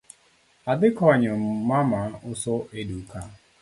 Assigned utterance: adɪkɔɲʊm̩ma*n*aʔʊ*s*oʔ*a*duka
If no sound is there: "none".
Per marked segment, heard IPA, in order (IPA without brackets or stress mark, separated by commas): m, s, e